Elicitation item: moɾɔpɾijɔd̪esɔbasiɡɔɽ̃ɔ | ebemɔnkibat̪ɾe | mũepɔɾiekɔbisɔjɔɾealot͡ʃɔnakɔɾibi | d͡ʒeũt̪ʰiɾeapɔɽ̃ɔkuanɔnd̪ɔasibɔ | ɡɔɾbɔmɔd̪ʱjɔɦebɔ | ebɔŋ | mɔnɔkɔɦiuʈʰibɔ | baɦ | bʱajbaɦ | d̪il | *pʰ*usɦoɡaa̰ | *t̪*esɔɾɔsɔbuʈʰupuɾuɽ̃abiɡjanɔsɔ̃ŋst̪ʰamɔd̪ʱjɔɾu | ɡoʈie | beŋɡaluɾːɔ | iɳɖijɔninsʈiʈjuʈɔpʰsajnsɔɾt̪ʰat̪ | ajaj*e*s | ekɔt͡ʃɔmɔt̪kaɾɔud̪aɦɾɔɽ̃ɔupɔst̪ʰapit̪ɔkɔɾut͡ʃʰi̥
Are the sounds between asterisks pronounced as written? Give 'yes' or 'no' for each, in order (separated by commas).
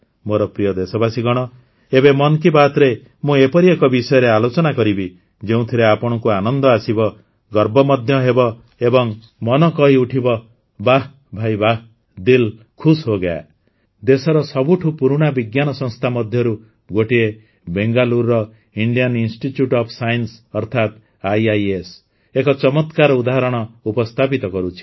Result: no, no, yes